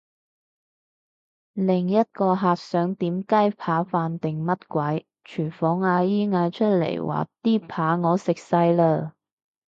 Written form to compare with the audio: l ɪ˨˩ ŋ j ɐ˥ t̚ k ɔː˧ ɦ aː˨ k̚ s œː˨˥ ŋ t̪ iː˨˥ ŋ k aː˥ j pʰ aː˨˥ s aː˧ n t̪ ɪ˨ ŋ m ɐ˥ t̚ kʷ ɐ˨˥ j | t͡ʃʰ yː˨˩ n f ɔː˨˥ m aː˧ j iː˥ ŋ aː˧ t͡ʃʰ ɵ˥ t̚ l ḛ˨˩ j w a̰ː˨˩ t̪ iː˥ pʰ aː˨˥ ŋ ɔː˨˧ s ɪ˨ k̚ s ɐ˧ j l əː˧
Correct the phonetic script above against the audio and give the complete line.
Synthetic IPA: l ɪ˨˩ ŋ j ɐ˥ t̚ k ɔː˧ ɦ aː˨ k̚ s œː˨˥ ŋ t̪ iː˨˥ m k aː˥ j pʰ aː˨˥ f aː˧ n t̪ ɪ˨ ŋ m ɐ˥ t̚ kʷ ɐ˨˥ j | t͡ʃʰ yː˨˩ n f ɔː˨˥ ŋ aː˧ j iː˥ ŋ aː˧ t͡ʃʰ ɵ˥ t̚ l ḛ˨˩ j w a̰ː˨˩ t̪ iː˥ pʰ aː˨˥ ŋ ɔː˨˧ s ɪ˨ k̚ s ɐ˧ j l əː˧

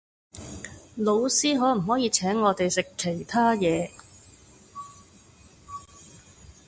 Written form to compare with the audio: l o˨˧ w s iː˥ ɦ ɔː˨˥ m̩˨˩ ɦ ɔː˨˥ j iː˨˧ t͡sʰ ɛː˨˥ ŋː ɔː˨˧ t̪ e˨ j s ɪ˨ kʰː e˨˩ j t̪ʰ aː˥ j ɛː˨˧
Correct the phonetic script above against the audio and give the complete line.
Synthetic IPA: l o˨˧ w s iː˥ ɦ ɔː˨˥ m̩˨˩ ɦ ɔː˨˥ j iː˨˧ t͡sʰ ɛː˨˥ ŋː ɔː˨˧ t̪ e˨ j s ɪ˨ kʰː e˨˩ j t̪ʰ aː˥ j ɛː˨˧

